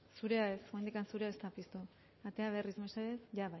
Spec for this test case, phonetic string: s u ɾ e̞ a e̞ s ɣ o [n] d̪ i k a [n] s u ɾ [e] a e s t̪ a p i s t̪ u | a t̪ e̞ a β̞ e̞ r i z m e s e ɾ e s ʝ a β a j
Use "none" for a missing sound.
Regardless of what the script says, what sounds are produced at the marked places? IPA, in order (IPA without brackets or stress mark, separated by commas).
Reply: n, n, e